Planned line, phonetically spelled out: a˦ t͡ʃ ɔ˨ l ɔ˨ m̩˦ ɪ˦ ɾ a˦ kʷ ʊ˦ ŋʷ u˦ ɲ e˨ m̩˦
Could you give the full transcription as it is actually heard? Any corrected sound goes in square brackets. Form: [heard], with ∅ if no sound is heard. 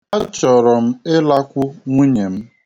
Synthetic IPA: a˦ t͡ʃ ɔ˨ [ɾ] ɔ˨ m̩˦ ɪ˦ [l] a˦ kʷ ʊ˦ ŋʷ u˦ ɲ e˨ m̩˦

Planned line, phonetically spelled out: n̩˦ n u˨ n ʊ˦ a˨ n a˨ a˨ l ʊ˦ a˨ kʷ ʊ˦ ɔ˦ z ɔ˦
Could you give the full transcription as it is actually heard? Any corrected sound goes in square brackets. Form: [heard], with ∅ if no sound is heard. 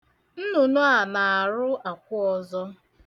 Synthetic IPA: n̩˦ n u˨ n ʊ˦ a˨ n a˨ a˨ [ɾ] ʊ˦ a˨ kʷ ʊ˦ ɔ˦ z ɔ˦

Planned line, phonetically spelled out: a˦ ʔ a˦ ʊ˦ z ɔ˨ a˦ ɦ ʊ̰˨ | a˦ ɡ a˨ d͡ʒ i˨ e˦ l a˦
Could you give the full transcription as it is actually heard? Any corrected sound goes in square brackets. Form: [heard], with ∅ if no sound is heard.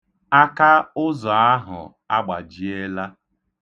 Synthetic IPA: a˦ [k] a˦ ʊ˦ z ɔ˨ a˦ ɦ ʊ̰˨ | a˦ [ɡ͡b] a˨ d͡ʒ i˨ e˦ l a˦

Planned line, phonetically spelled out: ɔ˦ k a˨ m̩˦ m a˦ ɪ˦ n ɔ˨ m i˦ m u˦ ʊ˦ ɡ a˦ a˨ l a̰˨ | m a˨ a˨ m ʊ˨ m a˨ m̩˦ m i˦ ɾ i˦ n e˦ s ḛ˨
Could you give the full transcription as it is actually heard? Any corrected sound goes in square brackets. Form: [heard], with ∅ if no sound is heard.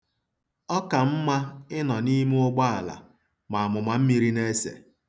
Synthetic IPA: ɔ˦ k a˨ m̩˦ m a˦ ɪ˦ n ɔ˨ [n] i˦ m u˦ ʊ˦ [ɡ͡b] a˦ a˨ l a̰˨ | m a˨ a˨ m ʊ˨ m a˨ m̩˦ m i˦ ɾ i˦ n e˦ s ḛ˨

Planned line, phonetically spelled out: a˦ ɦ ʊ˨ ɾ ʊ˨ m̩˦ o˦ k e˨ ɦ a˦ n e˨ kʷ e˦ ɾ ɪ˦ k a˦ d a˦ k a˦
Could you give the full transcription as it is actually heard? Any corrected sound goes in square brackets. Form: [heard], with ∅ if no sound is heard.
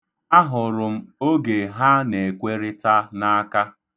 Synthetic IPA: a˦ ɦ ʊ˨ ɾ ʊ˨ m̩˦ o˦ [ɡ] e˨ ɦ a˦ n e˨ kʷ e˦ ɾ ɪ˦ [t] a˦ [n] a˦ k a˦

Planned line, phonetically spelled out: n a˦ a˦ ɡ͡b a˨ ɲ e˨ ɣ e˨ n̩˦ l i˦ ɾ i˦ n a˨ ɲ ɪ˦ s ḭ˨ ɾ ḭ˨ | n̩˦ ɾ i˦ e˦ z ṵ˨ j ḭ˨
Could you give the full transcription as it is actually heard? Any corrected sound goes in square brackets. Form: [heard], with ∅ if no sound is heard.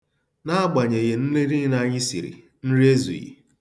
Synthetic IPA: n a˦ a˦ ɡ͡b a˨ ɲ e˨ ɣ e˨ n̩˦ l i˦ ɾ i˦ n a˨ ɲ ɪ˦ s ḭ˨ ɾ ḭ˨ | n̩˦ ɾ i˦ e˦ z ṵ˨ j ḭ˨

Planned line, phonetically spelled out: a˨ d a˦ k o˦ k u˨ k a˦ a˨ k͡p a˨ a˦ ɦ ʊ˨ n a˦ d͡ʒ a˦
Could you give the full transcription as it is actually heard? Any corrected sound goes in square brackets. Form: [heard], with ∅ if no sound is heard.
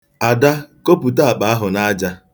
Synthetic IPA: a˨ d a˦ k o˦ [p] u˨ [t] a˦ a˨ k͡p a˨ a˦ ɦ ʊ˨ n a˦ d͡ʒ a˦

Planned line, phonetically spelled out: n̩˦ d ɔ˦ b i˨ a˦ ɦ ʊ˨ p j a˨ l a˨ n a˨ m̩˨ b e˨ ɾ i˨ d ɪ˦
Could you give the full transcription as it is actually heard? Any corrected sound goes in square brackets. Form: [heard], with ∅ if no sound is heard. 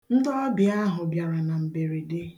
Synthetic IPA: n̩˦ d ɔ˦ b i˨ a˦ ɦ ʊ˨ [b] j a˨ [ɾ] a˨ n a˨ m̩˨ b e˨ ɾ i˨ d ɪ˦

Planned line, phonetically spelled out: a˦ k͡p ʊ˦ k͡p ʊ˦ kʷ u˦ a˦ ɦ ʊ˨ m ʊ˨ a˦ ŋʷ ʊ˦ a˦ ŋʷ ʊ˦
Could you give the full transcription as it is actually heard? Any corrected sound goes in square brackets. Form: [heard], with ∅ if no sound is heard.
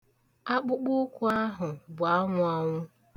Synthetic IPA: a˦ k͡p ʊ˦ k͡p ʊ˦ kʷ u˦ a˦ ɦ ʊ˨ [b] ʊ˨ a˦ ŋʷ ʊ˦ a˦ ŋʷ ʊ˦

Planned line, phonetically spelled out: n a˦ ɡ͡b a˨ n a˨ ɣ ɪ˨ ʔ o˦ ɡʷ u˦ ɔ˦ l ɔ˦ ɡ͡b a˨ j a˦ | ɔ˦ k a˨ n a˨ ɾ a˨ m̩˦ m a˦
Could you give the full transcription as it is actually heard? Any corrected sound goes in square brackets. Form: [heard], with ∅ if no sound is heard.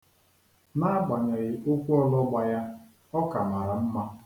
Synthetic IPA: n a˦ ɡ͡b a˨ [ɲ] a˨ ɣ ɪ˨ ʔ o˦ [kʷ] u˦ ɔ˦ l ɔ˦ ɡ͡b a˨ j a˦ | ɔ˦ k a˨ [m] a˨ ɾ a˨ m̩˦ m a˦

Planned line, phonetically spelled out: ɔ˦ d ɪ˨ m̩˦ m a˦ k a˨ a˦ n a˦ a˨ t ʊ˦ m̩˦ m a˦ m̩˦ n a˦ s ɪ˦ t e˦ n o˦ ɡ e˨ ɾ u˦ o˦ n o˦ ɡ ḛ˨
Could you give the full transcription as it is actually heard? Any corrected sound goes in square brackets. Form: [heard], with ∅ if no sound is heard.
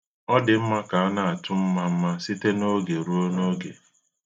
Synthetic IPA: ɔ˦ d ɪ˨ m̩˦ m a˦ k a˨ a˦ n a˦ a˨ t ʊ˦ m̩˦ m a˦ m̩˦ [m] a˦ s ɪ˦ t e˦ n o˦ ɡ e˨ ɾ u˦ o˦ n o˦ ɡ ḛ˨

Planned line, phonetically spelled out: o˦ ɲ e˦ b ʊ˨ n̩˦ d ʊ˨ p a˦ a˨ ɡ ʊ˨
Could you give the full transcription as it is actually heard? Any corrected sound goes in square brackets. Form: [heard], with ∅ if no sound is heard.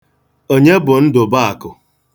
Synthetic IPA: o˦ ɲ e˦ b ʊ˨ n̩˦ d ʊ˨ [b] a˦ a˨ [k] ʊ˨

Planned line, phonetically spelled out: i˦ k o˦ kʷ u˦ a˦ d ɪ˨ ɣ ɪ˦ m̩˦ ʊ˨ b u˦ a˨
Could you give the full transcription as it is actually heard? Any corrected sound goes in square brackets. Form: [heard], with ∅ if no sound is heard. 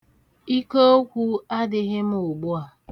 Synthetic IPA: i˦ k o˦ kʷ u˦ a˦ d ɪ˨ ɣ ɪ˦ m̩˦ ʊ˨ [ɡ͡b] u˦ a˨

